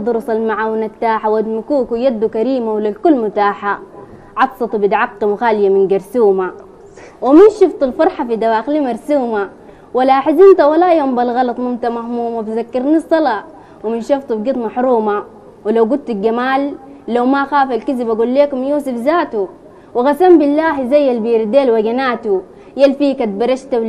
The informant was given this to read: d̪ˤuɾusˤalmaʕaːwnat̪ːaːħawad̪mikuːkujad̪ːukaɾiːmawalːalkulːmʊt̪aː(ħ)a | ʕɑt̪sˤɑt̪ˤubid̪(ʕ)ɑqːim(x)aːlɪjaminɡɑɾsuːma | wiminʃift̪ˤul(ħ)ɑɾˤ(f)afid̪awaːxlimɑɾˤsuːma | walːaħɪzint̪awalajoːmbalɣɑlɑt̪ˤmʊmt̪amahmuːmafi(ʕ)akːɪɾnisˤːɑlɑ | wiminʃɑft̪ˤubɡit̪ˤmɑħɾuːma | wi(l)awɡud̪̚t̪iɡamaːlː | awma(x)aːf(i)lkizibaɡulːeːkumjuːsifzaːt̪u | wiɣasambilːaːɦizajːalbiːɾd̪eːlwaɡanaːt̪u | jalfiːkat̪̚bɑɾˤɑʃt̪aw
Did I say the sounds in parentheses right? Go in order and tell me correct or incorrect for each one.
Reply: correct, correct, correct, incorrect, incorrect, incorrect, correct, correct, incorrect

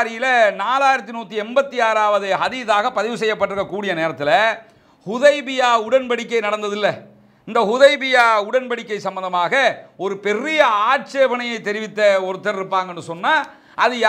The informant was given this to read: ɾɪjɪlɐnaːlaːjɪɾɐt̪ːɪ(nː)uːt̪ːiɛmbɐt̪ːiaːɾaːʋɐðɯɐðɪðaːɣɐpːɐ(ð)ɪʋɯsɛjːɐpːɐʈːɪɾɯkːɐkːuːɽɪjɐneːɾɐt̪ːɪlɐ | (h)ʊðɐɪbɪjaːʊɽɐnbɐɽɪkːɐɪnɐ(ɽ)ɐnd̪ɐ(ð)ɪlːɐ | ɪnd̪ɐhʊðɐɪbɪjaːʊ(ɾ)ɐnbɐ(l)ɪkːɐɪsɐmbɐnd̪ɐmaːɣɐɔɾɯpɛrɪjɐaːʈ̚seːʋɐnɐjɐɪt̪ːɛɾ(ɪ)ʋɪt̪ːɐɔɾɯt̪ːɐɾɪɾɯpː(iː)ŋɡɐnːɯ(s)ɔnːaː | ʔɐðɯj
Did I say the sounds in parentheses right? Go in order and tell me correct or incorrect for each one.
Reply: incorrect, correct, correct, correct, correct, incorrect, incorrect, correct, incorrect, correct

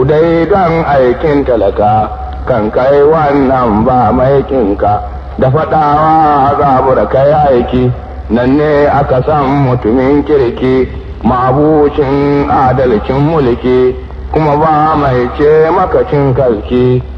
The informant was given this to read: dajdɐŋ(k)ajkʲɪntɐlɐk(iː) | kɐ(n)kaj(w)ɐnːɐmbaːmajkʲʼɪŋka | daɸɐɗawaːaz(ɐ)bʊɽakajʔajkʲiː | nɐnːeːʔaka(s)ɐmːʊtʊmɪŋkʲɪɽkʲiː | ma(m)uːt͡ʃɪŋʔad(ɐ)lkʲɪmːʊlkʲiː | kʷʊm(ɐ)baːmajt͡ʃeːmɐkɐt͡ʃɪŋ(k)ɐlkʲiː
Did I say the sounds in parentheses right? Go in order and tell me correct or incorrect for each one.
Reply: incorrect, incorrect, incorrect, correct, incorrect, correct, incorrect, correct, incorrect, correct

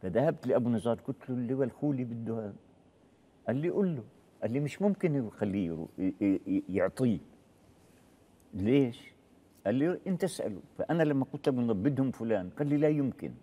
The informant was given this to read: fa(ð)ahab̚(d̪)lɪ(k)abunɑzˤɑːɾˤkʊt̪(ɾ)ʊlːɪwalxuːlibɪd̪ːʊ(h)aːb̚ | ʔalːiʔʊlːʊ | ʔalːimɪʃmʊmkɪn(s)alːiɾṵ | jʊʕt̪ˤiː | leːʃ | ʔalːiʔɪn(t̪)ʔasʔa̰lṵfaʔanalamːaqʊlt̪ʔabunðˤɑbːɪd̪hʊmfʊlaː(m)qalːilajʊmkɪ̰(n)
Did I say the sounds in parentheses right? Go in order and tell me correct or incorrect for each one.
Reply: correct, incorrect, incorrect, incorrect, correct, incorrect, correct, incorrect, correct

